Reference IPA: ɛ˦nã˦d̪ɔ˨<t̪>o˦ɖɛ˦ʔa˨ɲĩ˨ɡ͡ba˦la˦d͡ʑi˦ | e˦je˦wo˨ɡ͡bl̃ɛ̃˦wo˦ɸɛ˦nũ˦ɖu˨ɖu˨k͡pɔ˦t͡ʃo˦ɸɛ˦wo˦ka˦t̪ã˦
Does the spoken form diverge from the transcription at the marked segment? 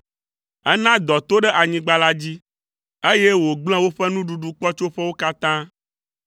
no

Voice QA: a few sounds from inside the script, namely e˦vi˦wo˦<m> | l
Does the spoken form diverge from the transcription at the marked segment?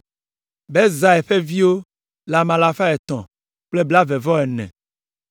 yes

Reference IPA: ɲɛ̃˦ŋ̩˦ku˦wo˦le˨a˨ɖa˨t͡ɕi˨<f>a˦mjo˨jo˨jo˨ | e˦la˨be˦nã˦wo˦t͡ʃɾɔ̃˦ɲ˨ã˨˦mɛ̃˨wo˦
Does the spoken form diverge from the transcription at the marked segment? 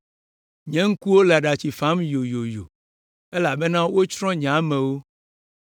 no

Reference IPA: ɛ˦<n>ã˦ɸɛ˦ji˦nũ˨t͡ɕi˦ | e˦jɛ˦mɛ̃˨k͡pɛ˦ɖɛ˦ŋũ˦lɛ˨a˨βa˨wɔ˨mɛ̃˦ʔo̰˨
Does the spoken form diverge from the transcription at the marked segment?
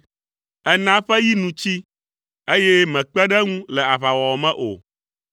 no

